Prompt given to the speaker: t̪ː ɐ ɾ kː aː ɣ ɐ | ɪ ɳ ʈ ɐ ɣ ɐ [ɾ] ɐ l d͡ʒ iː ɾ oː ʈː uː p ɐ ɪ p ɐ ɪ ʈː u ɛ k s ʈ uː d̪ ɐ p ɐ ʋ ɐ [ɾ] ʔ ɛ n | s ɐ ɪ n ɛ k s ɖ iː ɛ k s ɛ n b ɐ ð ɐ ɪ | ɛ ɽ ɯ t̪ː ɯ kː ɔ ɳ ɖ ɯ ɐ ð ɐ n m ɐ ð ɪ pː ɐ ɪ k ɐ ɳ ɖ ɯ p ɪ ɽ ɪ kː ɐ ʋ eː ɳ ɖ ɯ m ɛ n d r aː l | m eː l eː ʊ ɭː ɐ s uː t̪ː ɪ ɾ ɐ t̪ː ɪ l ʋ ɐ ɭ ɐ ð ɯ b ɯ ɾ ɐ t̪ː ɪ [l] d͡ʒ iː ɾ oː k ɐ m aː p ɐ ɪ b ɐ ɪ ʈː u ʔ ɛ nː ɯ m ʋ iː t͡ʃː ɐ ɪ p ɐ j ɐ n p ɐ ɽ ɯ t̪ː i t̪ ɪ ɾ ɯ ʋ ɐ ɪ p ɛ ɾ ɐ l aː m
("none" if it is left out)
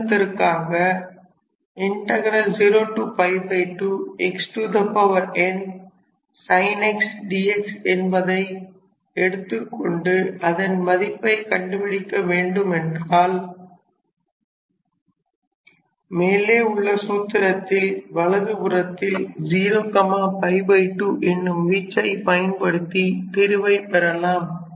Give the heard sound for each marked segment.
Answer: ɾ, ɾ, l

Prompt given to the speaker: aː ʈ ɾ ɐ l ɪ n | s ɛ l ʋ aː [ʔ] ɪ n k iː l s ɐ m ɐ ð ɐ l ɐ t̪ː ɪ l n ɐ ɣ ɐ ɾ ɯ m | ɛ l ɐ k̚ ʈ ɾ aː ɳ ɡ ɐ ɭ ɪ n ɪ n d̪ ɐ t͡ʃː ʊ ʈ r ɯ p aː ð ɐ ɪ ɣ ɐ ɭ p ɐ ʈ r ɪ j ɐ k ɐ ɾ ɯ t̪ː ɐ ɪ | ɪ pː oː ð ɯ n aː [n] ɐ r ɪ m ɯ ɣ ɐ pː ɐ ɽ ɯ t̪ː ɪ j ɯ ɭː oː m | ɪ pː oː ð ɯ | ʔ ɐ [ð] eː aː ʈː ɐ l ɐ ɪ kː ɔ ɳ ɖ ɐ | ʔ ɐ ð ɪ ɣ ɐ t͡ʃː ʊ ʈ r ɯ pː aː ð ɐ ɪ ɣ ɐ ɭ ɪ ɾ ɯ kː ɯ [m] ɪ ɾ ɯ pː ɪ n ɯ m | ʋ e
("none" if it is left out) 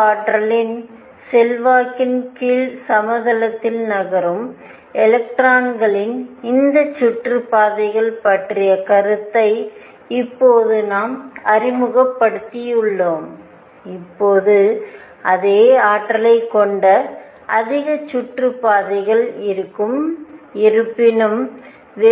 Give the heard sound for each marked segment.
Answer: k, m, ð, m

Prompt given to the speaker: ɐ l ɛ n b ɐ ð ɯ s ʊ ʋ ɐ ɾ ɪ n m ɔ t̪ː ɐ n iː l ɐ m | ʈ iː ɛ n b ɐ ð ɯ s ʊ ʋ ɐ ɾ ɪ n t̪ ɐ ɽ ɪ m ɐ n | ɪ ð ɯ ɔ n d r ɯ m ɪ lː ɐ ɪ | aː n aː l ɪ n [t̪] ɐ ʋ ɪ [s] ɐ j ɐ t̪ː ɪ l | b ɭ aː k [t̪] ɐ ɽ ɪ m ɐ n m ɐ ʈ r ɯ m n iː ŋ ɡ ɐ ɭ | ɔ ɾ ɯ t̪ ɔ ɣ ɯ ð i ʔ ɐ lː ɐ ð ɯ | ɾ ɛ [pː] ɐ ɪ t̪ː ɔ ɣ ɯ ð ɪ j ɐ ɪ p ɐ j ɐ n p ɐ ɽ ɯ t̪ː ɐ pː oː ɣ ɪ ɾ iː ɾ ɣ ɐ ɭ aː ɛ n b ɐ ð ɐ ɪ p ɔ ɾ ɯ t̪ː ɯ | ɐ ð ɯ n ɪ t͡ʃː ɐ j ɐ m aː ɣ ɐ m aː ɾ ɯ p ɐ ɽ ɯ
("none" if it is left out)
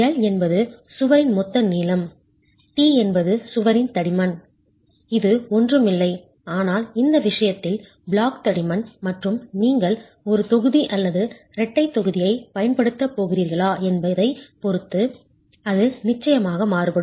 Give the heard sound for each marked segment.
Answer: d̪, ʂ, t̪, ʈː

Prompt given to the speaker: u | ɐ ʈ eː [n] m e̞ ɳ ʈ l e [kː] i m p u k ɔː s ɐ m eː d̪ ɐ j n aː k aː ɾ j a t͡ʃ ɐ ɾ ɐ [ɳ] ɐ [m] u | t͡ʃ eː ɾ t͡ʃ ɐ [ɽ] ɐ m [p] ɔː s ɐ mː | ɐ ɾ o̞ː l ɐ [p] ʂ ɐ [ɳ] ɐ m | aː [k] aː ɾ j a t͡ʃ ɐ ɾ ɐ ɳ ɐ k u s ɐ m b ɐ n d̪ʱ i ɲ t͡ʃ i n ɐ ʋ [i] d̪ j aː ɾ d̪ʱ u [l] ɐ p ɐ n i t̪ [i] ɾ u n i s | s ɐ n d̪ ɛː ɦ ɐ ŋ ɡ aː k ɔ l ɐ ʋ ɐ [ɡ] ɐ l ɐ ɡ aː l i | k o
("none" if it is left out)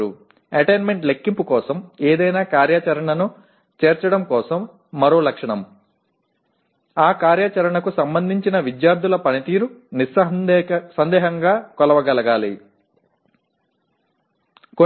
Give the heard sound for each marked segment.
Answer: n, kː, ɳ, n, ɽ, k, k, ɳ, k, i, l, iː, ɡ

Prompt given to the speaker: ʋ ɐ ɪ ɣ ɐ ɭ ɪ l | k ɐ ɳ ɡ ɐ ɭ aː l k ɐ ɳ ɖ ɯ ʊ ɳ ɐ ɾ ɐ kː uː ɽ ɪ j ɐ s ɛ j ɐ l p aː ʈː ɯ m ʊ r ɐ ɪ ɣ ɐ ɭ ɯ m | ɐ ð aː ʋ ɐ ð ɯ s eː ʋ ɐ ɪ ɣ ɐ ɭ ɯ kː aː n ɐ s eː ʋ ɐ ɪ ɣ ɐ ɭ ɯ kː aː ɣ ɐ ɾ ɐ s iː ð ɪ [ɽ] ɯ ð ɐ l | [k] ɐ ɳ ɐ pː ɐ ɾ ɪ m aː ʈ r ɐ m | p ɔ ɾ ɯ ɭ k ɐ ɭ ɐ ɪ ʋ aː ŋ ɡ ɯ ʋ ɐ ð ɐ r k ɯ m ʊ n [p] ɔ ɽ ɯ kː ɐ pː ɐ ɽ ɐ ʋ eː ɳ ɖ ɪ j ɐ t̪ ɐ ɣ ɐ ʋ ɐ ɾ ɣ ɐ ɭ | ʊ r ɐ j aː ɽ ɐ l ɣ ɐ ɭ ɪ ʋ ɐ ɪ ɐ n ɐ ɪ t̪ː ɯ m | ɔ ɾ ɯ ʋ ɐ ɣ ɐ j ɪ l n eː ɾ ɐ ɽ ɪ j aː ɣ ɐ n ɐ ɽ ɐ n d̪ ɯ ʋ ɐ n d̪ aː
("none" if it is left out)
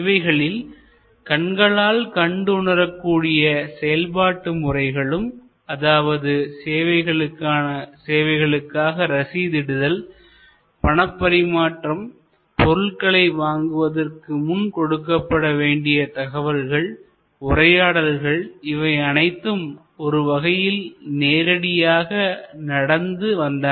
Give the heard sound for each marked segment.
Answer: ɽ, p, k

